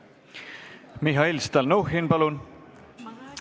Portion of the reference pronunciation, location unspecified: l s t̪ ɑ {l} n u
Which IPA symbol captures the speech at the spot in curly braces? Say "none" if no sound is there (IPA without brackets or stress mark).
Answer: l